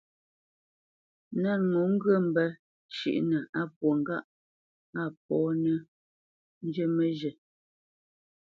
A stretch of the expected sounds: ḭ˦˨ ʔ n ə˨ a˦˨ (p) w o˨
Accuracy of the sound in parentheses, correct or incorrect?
correct